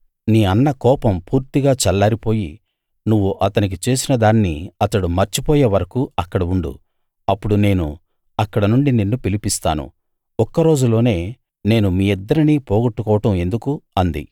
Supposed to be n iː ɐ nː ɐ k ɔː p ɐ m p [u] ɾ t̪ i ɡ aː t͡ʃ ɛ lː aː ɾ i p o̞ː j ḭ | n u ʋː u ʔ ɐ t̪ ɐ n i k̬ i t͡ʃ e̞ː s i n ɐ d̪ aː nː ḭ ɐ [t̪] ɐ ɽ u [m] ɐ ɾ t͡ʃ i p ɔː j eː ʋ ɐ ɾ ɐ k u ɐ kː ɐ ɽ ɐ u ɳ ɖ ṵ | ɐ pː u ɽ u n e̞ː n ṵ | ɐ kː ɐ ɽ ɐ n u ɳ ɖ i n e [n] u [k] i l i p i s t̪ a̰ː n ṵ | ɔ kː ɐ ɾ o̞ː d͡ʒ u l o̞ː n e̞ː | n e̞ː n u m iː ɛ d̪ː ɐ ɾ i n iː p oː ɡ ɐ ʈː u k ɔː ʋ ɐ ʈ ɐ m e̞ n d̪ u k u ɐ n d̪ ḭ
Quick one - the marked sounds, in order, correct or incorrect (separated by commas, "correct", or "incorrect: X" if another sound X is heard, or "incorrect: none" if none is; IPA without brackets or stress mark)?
incorrect: uː, correct, correct, incorrect: nː, incorrect: p